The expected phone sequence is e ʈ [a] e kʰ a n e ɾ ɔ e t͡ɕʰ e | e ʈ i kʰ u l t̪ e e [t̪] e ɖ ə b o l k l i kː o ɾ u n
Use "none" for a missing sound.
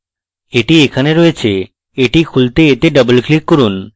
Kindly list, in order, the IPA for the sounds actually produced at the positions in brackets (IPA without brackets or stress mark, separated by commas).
i, t̪